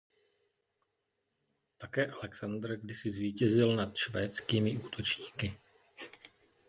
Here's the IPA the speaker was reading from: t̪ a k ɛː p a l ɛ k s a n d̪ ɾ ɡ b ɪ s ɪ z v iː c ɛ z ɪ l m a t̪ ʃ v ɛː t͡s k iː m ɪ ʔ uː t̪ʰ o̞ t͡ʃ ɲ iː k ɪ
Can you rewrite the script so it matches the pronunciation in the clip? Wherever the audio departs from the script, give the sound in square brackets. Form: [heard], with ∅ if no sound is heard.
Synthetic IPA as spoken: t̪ a k ɛː [ʔ] a l ɛ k s a n d̪ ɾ ɡ [d] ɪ s ɪ z v iː c ɛ z ɪ l [n] a t̪ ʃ v ɛː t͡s k iː m ɪ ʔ uː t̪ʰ o̞ t͡ʃ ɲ iː k ɪ